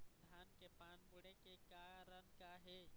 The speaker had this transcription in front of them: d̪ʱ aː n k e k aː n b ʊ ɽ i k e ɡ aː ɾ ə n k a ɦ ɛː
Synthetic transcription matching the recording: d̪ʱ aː n k e p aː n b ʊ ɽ e k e k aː ɾ ə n k a ɦ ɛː